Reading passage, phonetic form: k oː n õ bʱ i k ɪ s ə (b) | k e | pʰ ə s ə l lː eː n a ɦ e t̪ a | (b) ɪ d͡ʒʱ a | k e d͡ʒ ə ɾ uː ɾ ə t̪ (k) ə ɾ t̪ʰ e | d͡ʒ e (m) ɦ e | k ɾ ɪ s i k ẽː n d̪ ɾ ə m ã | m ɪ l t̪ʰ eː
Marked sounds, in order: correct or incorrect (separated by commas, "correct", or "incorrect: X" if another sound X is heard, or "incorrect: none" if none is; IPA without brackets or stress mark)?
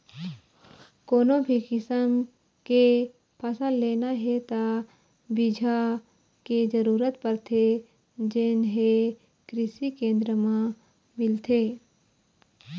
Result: incorrect: m, correct, incorrect: p, incorrect: n